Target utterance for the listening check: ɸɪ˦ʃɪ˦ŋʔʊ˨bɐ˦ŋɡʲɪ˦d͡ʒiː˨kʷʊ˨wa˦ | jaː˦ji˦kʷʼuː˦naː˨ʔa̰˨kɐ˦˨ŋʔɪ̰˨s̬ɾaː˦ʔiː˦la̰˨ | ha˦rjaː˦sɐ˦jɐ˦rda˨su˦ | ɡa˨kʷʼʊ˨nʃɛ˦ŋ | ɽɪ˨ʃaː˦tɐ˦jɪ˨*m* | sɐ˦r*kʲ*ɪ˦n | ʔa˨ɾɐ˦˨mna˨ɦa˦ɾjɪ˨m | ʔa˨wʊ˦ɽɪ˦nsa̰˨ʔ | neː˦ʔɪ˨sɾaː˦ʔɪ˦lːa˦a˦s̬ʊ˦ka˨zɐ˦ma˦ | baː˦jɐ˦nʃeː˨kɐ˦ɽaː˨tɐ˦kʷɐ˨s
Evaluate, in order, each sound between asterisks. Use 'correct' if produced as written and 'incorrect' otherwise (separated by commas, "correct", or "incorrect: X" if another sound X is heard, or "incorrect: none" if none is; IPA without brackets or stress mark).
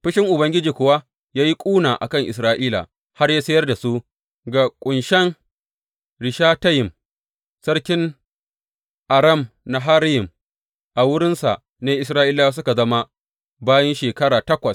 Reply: correct, correct